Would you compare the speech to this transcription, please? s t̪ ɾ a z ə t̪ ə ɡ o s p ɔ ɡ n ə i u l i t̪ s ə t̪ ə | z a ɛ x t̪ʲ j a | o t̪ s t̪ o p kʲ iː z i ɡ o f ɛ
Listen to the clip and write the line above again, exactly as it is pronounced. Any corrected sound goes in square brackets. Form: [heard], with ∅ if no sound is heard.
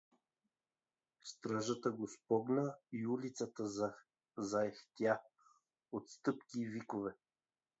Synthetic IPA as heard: s t̪ ɾ a [ʒ] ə t̪ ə ɡ o s p ɔ ɡ n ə i u l i t̪ s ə t̪ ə | z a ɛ x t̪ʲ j a | o t̪ s t̪ [ɤ] p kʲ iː [v] i [k] o [v] ɛ